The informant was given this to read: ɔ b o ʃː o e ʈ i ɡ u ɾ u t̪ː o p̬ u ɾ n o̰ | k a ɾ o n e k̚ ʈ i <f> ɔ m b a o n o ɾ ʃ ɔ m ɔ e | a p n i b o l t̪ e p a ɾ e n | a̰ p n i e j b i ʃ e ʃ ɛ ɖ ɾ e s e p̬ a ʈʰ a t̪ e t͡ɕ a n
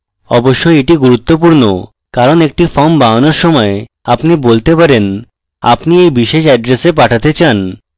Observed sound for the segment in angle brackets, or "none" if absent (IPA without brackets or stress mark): f